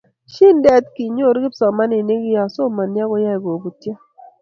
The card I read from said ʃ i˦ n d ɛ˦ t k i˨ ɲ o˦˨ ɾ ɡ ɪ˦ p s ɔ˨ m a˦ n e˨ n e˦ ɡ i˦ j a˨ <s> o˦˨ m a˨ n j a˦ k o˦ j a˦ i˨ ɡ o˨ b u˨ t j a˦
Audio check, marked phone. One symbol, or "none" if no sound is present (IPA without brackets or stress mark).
s